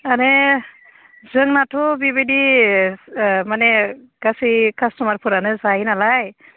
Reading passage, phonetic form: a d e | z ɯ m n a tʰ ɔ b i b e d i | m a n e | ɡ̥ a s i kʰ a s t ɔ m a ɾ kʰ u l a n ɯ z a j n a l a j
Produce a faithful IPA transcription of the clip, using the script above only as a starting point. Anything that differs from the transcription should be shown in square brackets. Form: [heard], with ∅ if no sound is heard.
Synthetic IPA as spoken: a [n] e | z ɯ [ŋ] n a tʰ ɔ b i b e d i | m a n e | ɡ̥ a s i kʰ a s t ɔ m a ɾ [pʰ] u [ɾ] a n ɯ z a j n a l a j